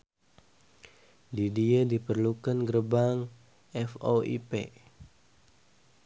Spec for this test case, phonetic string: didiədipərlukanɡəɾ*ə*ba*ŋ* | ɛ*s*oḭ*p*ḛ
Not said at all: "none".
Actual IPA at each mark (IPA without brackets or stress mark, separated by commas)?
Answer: ə, ŋ, f, p